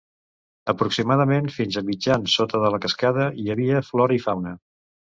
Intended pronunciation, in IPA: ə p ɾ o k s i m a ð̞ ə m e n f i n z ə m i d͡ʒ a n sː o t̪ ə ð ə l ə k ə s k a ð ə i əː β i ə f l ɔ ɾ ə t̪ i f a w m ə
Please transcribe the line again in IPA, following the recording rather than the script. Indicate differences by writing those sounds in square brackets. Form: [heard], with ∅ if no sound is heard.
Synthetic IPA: ə p ɾ [u] k s i m a ð̞ ə m e n f i n z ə m i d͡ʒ a n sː o t̪ ə ð ə l ə k ə s k a ð ə i [ə] β i ə f l ɔ ɾ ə [∅] i f a w [n] ə